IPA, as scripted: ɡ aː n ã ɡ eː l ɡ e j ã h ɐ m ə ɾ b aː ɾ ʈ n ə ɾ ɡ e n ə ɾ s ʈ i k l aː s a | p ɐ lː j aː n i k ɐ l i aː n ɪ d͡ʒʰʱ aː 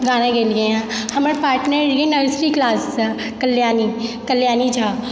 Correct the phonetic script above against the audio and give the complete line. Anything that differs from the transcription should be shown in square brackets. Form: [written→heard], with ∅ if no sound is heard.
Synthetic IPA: ɡ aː n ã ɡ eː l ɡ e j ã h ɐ m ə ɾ [b→p] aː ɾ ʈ n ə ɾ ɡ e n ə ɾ s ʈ i k l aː s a | [p→k] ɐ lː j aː n i k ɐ l [i→j] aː n [ɪ→i] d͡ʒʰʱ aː